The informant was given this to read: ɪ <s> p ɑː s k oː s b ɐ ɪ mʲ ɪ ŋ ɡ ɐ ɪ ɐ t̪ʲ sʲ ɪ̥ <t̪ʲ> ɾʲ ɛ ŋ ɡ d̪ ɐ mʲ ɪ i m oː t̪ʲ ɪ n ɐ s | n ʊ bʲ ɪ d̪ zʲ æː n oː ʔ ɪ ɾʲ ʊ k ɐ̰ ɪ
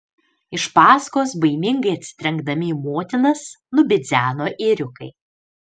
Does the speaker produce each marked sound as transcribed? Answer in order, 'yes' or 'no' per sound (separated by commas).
no, yes